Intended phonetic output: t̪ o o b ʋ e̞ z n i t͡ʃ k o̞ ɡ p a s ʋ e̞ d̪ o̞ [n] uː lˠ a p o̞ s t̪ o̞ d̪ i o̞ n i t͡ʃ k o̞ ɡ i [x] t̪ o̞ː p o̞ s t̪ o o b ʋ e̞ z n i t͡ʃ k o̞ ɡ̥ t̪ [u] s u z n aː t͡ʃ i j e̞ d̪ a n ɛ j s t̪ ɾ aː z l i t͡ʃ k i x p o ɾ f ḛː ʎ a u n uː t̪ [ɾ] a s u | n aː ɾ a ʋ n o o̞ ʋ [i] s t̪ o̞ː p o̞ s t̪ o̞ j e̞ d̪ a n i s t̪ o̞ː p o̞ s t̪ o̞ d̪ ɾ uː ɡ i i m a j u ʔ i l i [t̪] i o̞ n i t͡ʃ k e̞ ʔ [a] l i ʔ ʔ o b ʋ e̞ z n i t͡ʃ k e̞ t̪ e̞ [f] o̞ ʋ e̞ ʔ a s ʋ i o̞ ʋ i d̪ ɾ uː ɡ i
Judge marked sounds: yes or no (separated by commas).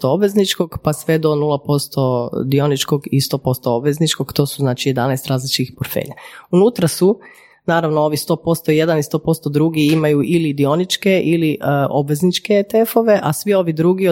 yes, no, no, yes, yes, no, no, yes